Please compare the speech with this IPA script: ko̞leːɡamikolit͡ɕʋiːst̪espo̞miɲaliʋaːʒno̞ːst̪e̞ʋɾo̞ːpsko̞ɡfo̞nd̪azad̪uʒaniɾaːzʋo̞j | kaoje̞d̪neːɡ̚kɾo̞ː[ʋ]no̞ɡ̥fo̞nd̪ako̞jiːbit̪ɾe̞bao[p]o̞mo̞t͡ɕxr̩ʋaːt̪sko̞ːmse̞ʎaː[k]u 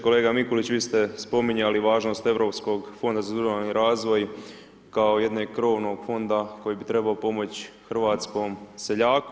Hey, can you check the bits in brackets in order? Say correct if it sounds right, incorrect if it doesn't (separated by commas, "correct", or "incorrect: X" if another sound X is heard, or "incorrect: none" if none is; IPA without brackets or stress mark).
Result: correct, correct, correct